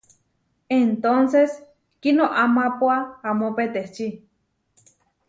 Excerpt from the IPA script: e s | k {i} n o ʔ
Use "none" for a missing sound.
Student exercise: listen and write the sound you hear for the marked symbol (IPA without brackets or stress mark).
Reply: i